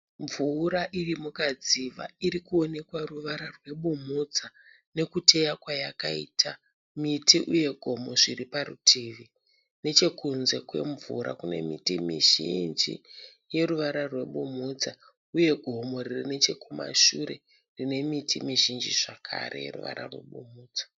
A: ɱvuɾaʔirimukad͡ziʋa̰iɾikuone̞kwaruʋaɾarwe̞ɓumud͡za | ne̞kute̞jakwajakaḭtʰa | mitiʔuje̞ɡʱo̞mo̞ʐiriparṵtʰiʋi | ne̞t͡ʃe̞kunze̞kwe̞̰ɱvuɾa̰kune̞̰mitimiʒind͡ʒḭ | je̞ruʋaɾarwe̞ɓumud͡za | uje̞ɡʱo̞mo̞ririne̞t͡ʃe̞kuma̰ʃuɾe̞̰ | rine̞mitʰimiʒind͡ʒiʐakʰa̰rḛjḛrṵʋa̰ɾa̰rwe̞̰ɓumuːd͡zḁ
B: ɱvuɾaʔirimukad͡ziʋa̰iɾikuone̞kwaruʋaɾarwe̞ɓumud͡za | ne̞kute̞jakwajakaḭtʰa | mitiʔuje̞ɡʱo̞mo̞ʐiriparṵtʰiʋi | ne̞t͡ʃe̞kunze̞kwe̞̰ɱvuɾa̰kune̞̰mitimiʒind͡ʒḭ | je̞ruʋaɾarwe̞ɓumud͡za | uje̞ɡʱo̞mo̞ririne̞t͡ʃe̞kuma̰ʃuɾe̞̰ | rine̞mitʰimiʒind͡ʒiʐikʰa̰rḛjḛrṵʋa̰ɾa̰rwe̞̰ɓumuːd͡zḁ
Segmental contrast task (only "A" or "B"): A